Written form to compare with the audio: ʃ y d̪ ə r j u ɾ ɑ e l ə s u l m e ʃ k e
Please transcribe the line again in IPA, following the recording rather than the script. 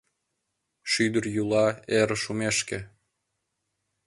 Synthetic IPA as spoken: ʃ y d̪ ə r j u l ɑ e ɾ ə ʃ u m e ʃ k e